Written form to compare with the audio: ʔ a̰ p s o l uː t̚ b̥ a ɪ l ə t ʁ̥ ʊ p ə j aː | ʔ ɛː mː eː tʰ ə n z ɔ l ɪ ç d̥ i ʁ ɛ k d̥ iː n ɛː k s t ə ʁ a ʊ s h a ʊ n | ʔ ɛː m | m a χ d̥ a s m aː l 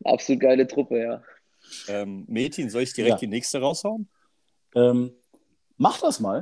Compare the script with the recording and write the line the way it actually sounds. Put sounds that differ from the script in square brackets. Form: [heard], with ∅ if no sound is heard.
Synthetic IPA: ʔ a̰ p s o l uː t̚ [ɡ̥] a ɪ l ə t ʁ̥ ʊ p ə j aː | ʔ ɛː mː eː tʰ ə n z ɔ l ɪ ç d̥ i ʁ ɛ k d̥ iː n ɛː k s t ə ʁ a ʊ s h a ʊ n | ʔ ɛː m | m a χ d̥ a s m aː l